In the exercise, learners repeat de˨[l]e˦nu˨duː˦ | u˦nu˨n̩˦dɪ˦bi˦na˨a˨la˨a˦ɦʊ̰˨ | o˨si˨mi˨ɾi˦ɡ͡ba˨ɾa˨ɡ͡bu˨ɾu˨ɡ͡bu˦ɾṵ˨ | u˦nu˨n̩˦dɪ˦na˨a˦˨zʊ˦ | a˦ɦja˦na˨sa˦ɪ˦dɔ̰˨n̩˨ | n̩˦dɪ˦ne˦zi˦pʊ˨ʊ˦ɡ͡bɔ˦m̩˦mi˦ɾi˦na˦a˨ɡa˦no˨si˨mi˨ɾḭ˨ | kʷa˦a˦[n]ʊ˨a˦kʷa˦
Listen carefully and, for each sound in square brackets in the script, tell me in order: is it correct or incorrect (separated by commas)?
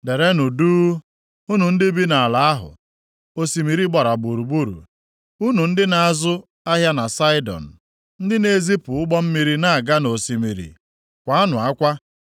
incorrect, correct